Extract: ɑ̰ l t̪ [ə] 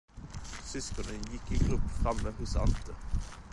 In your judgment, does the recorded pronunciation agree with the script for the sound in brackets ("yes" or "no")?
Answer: yes